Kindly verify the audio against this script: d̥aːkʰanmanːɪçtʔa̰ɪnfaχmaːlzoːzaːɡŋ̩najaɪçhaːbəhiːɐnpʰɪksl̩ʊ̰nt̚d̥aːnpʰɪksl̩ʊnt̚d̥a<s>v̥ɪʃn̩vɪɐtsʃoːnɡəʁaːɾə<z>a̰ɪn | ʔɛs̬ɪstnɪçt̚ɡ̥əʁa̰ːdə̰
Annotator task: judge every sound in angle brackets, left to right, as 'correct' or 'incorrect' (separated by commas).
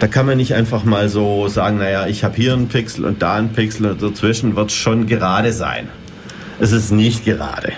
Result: incorrect, correct